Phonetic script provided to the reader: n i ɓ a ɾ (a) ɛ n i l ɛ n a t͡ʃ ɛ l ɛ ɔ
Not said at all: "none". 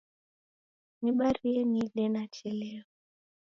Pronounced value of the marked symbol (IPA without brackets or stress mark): i